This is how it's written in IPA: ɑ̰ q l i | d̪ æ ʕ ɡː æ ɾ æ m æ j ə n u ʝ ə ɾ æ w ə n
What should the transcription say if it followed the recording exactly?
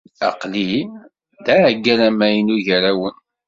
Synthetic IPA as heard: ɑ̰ q l i | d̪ æ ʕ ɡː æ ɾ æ m æ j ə n u ʝ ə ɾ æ w ə n